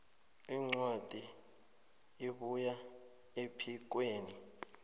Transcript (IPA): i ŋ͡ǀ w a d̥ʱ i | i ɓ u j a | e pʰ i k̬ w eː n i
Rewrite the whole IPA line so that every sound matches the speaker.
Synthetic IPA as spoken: i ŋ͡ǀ w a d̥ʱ i | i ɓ u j a | e pʰ i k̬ w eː n i